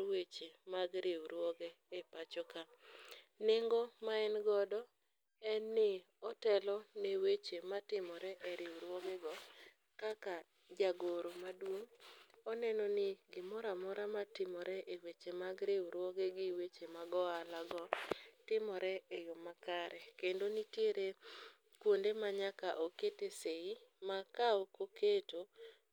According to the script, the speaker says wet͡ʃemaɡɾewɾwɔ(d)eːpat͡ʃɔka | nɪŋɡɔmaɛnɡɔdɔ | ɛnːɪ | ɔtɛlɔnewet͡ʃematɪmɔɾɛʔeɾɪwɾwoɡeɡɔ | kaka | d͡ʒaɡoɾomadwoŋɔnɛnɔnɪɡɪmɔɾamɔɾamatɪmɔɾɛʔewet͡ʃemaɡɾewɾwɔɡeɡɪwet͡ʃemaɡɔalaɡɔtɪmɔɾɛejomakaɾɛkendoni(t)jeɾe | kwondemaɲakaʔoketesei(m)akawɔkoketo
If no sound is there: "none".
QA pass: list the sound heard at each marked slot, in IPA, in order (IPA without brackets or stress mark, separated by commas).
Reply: ɡ, t, m